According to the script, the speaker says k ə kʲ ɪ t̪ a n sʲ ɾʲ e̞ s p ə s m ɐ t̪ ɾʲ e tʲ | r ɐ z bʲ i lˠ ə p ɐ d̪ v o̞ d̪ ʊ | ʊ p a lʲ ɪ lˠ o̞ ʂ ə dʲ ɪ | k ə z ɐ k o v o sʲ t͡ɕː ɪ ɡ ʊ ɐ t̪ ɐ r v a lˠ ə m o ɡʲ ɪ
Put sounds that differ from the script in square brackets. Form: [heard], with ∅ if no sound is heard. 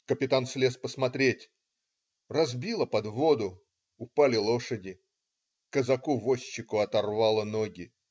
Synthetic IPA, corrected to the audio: k ə [pʲ] ɪ t̪ a n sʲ [lʲ] e̞ s p ə s m ɐ t̪ ɾʲ e tʲ | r ɐ z bʲ i lˠ ə p ɐ d̪ v o̞ d̪ ʊ | ʊ p a lʲ ɪ lˠ o̞ ʂ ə dʲ ɪ | k ə z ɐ k [u] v o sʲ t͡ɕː ɪ [k] ʊ ɐ t̪ ɐ r v a lˠ ə [n] o ɡʲ ɪ